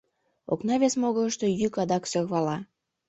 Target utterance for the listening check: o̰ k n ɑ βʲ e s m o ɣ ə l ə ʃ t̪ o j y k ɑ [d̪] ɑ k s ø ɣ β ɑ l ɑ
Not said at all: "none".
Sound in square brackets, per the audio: d̪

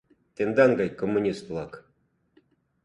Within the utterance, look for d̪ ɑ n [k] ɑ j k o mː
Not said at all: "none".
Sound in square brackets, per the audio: ɡ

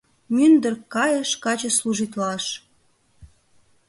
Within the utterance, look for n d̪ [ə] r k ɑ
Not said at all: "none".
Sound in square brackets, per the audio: ə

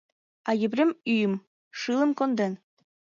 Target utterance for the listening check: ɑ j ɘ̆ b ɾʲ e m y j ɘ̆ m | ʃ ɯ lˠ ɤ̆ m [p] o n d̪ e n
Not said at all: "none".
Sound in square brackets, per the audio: k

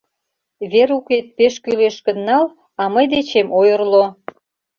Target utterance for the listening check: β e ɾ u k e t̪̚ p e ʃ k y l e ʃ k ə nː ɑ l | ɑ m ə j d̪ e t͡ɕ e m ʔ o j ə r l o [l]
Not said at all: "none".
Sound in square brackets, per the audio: none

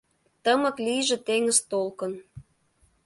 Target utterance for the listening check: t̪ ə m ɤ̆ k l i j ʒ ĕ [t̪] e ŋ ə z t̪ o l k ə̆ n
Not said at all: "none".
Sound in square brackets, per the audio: t̪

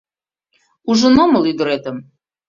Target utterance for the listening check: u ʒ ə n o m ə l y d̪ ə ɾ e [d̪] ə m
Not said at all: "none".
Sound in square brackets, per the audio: t̪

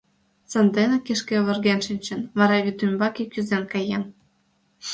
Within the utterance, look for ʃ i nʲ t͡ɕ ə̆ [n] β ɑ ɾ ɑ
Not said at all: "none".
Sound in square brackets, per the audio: n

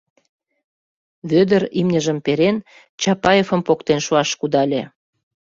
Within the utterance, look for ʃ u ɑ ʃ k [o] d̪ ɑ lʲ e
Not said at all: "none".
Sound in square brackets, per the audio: u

